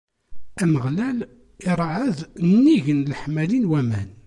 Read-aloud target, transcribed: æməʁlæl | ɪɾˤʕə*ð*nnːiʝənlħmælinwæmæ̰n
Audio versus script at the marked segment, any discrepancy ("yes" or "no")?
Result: no